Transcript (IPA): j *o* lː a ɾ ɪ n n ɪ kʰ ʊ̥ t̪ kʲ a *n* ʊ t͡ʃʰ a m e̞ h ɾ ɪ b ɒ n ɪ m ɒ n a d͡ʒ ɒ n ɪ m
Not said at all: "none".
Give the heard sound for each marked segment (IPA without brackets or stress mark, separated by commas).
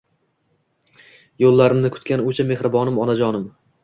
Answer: o, n